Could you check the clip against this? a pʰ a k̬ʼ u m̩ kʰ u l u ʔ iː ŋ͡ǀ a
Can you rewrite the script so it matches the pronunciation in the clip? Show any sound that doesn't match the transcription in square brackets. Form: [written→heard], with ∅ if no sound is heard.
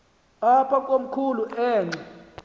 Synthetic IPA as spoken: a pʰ a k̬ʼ [u→o] m̩ kʰ u l u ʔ [iː→ɛː] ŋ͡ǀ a